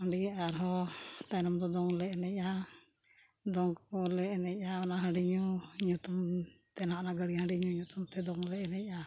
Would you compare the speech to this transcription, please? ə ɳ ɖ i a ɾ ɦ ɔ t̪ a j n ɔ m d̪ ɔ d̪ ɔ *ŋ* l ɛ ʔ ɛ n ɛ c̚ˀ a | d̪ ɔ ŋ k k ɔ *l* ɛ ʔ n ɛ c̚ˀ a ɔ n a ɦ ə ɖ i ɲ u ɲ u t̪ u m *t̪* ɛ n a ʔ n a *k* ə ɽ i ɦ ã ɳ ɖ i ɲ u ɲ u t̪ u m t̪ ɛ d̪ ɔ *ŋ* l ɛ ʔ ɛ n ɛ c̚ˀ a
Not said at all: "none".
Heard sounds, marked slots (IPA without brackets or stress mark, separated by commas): ŋ, l, t̪, ɡ, ŋ